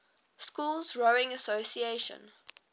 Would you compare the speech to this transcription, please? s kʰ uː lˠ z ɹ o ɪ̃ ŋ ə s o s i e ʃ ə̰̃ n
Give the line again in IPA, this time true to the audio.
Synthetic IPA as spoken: s k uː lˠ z ɹ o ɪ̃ ŋ ə s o s i e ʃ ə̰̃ n